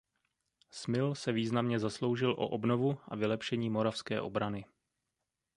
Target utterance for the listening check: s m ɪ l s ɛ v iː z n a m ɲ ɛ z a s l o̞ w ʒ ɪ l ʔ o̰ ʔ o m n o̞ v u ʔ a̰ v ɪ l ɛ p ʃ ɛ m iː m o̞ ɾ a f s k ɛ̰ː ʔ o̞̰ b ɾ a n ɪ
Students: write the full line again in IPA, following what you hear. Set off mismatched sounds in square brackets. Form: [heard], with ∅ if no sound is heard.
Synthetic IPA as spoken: s m ɪ l s ɛ v iː z n a m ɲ ɛ z a s l o̞ w ʒ ɪ l ʔ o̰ ʔ o [b] n o̞ v u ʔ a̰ v ɪ l ɛ p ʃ ɛ [ɲ] iː m o̞ ɾ a f s k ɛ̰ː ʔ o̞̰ b ɾ a n ɪ